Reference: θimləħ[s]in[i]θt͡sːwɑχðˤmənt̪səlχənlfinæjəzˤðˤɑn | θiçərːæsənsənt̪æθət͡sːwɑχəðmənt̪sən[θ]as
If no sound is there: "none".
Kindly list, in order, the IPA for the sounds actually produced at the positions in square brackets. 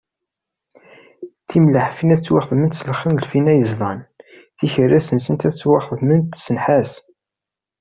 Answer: f, æ, ħ

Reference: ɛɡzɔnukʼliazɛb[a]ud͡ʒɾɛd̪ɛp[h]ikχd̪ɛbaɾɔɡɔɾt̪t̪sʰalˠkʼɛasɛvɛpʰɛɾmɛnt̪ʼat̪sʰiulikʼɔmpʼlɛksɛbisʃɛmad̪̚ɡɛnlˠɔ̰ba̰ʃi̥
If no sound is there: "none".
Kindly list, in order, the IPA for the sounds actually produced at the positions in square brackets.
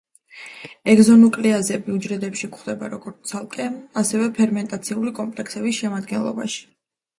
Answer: i, ʃ

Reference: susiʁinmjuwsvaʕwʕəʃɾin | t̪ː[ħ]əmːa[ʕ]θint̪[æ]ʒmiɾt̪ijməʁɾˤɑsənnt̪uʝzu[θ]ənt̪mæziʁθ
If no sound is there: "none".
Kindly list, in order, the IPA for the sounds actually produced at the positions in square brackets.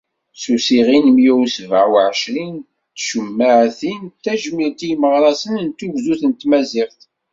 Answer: ʃ, ʕ, æ, θ

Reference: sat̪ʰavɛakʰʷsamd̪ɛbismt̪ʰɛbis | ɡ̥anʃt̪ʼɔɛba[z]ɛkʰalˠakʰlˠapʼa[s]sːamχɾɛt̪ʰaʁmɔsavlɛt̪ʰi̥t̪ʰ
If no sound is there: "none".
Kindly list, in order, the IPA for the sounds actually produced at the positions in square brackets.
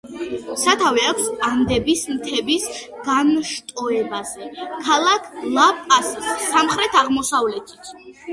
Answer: z, s

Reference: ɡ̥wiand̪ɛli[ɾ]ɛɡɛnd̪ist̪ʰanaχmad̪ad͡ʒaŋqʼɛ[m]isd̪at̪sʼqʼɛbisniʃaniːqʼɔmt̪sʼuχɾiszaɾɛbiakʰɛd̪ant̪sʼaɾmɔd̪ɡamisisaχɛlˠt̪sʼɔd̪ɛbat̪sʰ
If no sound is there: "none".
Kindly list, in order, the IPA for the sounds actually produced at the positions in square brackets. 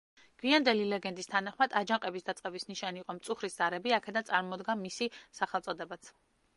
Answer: l, b

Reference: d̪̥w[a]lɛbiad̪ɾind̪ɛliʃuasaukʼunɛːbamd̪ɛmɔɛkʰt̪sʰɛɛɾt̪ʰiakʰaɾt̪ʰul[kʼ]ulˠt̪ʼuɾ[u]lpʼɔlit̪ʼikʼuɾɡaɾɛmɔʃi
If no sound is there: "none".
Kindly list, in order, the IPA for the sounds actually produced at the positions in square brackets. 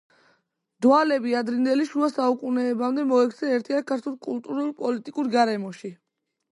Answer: a, kʼ, u

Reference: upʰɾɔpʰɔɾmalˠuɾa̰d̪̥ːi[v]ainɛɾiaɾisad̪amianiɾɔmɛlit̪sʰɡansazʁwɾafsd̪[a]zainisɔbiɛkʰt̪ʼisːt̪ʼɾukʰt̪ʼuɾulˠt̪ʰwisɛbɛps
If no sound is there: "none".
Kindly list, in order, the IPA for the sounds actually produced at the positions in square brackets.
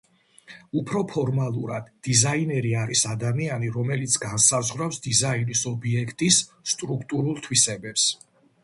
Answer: z, i

